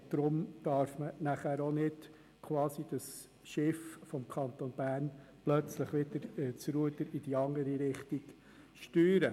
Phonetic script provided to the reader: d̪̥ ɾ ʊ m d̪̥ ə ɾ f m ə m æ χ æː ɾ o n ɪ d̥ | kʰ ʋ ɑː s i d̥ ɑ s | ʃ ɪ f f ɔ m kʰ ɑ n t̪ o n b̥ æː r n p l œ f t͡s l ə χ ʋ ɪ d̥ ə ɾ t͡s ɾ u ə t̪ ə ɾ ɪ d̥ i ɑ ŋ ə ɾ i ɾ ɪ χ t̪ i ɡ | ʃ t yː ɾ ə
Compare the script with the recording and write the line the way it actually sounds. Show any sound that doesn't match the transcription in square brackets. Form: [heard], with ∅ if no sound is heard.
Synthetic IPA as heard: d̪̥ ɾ ʊ m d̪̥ [ɑ] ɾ f m ə [n] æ χ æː ɾ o n ɪ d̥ | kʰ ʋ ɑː s i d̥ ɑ s | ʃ ɪ f f ɔ m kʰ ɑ n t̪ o n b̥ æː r n p l œ [∅] t͡s l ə χ ʋ ɪ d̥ ə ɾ t͡s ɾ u ə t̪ ə ɾ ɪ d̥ i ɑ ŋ ə ɾ i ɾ ɪ χ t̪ i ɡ | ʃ t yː ɾ ə

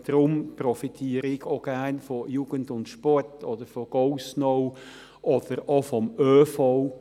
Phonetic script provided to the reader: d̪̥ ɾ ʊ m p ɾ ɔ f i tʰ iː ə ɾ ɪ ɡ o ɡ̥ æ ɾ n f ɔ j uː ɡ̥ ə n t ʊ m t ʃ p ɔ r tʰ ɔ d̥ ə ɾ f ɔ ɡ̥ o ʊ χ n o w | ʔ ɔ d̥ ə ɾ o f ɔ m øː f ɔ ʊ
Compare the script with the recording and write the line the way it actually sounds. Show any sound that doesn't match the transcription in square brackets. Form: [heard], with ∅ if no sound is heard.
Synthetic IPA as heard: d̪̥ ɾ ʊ m p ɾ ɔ f i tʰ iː ə ɾ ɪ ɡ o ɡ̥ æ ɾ n f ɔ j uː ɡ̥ ə n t ʊ [n] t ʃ p ɔ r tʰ ɔ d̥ ə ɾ f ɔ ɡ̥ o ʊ [s] n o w | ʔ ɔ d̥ ə ɾ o f ɔ m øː f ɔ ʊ

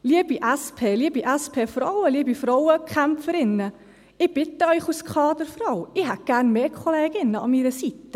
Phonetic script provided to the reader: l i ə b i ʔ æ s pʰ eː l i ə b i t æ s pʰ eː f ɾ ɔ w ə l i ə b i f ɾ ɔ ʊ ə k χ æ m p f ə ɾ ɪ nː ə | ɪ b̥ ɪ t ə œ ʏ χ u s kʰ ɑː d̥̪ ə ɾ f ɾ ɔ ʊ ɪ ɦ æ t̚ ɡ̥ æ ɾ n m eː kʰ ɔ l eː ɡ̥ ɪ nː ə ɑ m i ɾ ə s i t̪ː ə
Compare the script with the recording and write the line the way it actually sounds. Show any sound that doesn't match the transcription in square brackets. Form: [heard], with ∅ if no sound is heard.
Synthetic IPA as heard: l i ə b i ʔ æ s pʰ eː l i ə b i [ʔ] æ s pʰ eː f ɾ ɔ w ə l i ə b i f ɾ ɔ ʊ ə k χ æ m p f ə ɾ ɪ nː ə | ɪ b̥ ɪ t ə œ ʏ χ u s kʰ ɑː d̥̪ ə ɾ f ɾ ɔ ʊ ɪ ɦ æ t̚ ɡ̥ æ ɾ n m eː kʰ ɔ l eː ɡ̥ ɪ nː ə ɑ m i ɾ ə s i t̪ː ə

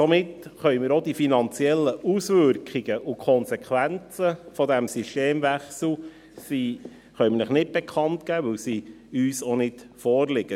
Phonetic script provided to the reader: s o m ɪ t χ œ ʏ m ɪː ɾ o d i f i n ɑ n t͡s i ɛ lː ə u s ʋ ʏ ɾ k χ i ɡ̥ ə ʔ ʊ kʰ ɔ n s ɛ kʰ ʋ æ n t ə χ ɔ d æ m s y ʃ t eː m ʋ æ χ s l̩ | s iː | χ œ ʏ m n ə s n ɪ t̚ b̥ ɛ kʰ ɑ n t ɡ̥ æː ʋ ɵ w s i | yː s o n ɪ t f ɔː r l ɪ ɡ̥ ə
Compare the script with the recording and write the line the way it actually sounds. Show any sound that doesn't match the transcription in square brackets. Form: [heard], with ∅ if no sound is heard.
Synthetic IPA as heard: s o m ɪ t χ œ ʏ m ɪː ɾ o d i f i n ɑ n t͡s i ɛ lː ə u s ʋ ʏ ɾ k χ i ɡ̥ ə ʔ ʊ kʰ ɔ n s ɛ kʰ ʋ æ n [t͡s] ə [f] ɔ d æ m s y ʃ t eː m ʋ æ χ s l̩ | s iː | χ œ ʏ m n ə [χ] n ɪ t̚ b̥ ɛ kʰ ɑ n t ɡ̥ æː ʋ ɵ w s i | yː s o n ɪ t f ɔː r l ɪ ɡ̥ ə

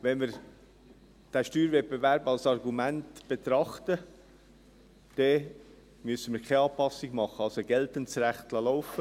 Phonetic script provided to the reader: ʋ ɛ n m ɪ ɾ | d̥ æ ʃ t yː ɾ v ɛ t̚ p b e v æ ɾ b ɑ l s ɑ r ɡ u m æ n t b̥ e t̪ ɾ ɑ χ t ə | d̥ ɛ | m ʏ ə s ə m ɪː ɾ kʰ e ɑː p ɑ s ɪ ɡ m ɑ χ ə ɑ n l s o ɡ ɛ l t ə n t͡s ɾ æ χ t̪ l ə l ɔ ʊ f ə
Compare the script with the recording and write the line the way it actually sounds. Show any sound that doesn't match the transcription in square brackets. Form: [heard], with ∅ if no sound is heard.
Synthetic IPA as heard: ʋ ɛ n m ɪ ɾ | d̥ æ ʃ t yː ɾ v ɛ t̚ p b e v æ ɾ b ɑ l s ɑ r ɡ u m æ n t b̥ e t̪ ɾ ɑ χ t ə | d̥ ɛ | m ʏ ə s ə m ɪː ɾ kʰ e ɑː p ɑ s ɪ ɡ m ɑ χ ə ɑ [∅] l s o ɡ ɛ l t ə n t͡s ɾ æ χ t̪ l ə l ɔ ʊ f ə

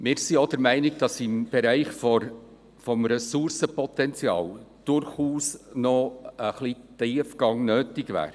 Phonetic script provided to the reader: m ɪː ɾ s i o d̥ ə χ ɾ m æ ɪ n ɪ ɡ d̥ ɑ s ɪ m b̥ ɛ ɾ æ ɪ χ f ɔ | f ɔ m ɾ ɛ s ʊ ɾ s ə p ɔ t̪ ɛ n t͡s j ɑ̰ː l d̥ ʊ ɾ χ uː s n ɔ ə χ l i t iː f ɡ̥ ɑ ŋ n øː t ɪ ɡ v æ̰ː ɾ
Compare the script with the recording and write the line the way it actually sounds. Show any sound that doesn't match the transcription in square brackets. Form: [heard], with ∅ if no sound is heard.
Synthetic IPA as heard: m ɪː ɾ s i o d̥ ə [∅] ɾ m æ ɪ n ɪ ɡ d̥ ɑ s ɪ m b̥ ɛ ɾ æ ɪ χ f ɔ | f ɔ m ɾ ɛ s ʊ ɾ s ə p ɔ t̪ ɛ n t͡s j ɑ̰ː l d̥ ʊ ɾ χ uː s n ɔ ə χ l i t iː f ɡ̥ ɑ ŋ n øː t ɪ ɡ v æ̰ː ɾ

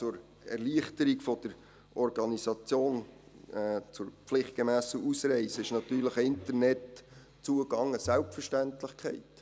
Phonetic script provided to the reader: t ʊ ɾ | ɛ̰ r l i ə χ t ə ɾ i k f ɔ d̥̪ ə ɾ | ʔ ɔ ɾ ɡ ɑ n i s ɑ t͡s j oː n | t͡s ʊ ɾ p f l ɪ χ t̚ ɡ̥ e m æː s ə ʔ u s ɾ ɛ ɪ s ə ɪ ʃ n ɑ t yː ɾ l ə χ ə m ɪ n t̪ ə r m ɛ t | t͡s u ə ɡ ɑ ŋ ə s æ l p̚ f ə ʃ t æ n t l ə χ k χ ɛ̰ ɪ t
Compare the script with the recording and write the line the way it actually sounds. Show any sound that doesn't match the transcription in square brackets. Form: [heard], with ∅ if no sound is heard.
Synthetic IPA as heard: [t͡s] ʊ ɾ | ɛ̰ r l i ə χ t ə ɾ i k f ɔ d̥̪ ə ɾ | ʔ ɔ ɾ ɡ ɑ n i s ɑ t͡s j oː n | t͡s ʊ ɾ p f l ɪ χ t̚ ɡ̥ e m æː s ə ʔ u s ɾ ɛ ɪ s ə ɪ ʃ n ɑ t yː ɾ l ə χ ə [∅] ɪ n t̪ ə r [n] ɛ t | t͡s u ə ɡ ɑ ŋ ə s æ l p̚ f ə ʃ t æ n t l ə χ k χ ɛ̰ ɪ t

